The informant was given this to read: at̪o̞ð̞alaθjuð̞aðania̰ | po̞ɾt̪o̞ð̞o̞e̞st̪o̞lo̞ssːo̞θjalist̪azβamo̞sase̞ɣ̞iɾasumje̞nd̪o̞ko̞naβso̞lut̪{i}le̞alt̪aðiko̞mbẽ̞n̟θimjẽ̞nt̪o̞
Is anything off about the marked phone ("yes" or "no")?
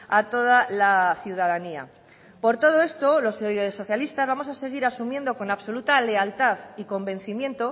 yes